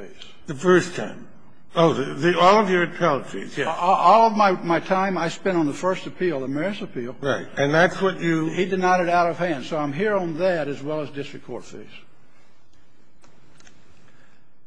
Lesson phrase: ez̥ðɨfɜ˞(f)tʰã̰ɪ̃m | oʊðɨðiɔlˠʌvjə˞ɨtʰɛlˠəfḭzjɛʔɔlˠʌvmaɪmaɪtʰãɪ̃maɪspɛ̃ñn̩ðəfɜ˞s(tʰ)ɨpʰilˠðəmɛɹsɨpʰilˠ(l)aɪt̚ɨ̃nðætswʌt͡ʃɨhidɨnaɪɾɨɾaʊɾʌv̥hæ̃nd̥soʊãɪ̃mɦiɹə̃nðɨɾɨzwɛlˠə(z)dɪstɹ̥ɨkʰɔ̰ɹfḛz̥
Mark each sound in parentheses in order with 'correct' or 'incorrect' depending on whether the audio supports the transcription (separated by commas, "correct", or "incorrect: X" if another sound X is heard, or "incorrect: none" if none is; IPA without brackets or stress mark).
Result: incorrect: s, incorrect: t, incorrect: ɹ, correct